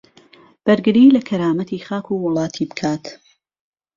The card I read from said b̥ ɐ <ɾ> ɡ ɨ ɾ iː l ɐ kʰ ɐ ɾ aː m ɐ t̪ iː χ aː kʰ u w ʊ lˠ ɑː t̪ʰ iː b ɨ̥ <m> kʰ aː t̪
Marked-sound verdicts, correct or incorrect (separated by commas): correct, incorrect